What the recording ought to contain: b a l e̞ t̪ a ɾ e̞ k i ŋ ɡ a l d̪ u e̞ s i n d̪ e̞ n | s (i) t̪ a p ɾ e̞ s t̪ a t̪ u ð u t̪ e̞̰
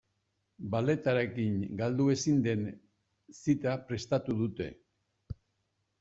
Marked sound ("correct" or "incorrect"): correct